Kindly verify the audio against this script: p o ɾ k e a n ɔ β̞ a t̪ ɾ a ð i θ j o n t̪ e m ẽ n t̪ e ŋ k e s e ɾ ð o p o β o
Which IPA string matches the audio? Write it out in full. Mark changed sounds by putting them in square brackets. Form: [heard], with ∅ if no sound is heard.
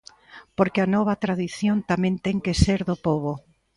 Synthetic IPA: p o ɾ k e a n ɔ β̞ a t̪ ɾ a ð i θ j o n t̪ [a] m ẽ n t̪ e ŋ k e s e ɾ ð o p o β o